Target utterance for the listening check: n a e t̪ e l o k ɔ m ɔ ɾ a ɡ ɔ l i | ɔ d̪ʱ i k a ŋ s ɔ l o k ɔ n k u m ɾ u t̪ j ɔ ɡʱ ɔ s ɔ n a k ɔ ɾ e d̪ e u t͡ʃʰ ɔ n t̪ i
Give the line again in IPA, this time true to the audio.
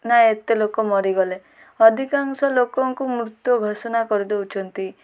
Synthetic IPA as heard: n a e t̪ e l o k ɔ m ɔ ɾ i ɡ ɔ l e | ɔ d̪ʱ i k a ŋ s ɔ l o k ɔ ŋ k u m ɾ u t̪ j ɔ ɡʱ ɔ s ɔ n a k ɔ ɾ i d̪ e u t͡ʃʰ ɔ n t̪ i